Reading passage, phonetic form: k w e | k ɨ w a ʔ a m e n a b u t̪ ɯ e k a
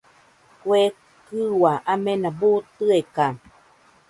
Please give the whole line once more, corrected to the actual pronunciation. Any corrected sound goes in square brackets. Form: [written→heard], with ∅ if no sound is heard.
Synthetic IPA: k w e | k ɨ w a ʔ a m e n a b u t̪ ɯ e k a

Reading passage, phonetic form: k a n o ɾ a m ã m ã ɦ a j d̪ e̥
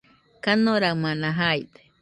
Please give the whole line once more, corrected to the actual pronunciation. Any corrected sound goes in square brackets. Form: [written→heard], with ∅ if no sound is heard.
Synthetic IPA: k a n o ɾ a m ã [m→n] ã ɦ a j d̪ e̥

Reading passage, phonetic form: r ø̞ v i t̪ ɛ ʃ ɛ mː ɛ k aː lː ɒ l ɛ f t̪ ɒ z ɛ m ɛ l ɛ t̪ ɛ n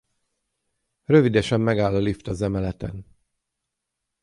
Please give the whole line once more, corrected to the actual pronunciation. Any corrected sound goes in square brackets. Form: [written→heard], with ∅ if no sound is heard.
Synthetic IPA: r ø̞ v i [t̪→d̪] ɛ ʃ ɛ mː ɛ [k→ɡ] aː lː ɒ l [ɛ→i] f t̪ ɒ z ɛ m ɛ l ɛ t̪ ɛ n

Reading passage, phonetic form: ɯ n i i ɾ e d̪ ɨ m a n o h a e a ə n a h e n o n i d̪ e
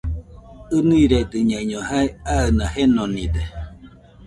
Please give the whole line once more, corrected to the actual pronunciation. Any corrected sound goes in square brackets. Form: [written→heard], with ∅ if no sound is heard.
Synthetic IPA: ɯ n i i ɾ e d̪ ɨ [m→ɲ] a [n→ɲ] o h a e a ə n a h e n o n i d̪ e

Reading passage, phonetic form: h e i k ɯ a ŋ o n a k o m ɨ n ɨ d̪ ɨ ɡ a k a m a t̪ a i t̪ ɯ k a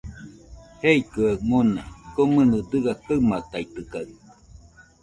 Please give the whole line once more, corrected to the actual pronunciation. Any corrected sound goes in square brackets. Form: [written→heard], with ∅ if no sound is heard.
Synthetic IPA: h e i k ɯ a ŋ o n a k o m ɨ n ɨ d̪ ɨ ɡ a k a m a t̪ a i t̪ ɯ k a

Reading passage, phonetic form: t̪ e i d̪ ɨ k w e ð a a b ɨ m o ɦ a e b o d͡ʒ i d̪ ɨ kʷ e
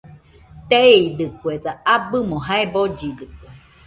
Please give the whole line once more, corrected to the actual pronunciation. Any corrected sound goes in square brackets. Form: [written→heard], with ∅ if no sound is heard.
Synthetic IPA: t̪ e i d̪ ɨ k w e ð a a b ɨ m o ɦ a e b o d͡ʒ i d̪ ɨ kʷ e

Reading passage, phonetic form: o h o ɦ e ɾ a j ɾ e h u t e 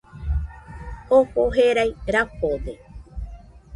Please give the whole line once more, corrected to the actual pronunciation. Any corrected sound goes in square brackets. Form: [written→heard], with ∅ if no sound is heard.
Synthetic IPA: o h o ɦ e ɾ a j ɾ [e→a] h [u→o] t e

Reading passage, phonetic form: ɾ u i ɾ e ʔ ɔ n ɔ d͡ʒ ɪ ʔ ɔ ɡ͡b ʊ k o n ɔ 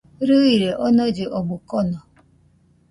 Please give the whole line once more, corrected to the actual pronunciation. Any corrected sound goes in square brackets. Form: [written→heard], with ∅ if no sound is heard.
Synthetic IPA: ɾ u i ɾ e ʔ ɔ n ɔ d͡ʒ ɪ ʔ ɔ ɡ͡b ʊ k [o→ɔ] n ɔ

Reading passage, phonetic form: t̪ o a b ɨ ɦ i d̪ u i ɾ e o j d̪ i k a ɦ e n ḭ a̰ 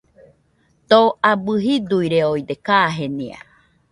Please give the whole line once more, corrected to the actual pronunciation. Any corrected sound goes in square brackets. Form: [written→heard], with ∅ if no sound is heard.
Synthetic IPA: t̪ o a b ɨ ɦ i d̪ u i ɾ e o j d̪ [i→e] k a ɦ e n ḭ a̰

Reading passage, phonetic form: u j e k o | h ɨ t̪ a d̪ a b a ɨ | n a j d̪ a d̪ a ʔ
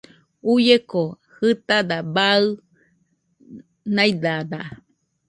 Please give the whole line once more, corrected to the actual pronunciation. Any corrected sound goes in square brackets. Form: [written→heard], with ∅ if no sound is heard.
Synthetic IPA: u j e k o | h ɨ t̪ a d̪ a b a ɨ | n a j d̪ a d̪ a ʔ

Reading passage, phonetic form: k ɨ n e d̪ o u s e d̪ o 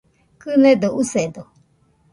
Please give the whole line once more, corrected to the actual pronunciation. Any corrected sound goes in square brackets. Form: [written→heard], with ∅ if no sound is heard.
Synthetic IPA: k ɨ n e d̪ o u s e d̪ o

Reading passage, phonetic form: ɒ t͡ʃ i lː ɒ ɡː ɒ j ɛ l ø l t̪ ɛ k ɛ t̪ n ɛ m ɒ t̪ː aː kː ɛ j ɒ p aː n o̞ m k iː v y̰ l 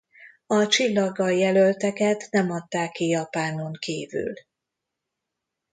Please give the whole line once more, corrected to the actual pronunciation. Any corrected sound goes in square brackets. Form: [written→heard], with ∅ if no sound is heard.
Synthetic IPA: ɒ t͡ʃ i lː ɒ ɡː ɒ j ɛ l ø l t̪ ɛ k ɛ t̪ n ɛ m ɒ t̪ː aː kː [ɛ→i] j ɒ p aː n o̞ [m→ŋ] k iː v y̰ l

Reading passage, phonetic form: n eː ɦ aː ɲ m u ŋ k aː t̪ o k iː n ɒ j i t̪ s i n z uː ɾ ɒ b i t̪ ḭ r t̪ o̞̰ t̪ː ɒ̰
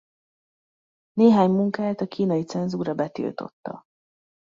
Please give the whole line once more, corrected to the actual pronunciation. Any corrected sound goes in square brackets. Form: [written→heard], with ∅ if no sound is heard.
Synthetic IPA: n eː ɦ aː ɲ m u ŋ k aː t̪ [o→ɒ] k iː n ɒ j i t̪ s [i→ɛ] n z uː ɾ ɒ b [i→ɛ] t̪ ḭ [r→l] t̪ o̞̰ t̪ː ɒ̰

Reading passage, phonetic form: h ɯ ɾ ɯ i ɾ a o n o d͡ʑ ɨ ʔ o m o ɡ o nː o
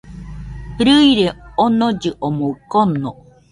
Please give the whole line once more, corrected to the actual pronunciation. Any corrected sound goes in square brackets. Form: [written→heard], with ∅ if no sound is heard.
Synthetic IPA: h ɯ ɾ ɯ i ɾ [a→e] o n o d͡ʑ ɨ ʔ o m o [ɡ→k] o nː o

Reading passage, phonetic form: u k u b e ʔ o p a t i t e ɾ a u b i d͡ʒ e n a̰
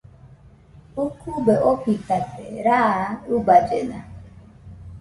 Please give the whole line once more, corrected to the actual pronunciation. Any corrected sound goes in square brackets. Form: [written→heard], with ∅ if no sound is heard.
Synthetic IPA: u k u b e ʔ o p [a→i] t [i→a] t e ɾ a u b [i→a] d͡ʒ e n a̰

